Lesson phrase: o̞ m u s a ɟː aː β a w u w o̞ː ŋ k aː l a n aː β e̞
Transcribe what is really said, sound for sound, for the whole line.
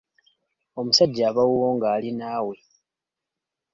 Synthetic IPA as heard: o̞ m u s a ɟː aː β a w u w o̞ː ŋ ɡ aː l i n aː w e̞